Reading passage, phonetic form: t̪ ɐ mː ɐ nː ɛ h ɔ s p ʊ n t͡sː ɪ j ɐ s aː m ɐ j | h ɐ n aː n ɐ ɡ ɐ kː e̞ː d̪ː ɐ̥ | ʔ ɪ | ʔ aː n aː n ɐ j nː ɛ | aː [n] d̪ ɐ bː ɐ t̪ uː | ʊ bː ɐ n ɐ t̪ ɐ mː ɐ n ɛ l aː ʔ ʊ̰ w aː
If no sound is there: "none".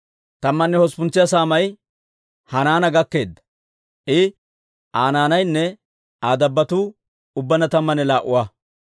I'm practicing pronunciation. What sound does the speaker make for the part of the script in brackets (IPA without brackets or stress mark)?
none